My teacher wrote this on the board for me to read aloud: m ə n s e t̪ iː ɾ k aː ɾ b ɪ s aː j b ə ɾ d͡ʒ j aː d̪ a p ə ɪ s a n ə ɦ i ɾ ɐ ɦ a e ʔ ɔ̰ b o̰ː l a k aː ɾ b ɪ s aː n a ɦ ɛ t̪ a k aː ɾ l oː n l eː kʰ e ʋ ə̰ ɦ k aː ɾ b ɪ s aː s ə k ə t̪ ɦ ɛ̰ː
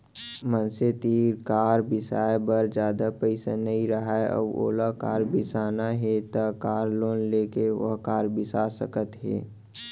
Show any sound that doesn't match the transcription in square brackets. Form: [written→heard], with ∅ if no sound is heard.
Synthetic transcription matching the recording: m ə n s e t̪ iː ɾ k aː ɾ b ɪ s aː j b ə ɾ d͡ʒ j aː d̪ a p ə ɪ s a n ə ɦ i ɾ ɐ ɦ a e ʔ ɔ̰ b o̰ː l a k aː ɾ b ɪ s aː n a ɦ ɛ t̪ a k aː ɾ l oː n l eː [kʰ→k] e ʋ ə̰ ɦ k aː ɾ b ɪ s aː s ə k ə t̪ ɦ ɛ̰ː